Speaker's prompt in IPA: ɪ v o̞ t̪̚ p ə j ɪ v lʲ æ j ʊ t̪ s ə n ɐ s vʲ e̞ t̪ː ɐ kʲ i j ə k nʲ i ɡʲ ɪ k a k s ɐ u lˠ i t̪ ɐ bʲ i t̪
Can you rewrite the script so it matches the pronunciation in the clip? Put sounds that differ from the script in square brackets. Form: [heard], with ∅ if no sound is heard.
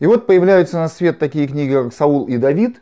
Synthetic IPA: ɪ v o̞ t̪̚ p ə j ɪ v lʲ æ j ʊ t̪ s ə n ɐ s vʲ e̞ t̪ː ɐ kʲ i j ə k nʲ i ɡʲ ɪ k a k s ɐ u lˠ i [d̪] ɐ [vʲ] i t̪